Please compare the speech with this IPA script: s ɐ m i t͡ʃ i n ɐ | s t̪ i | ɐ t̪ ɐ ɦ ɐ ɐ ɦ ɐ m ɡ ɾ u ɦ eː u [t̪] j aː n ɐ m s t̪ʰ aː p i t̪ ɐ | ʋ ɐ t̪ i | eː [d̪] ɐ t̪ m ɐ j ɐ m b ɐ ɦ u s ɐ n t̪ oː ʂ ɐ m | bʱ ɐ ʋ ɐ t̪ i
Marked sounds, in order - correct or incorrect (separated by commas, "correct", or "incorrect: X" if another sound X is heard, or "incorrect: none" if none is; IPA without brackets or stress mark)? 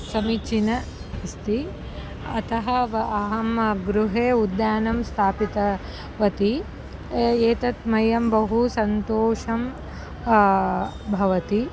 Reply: incorrect: d̪, incorrect: t̪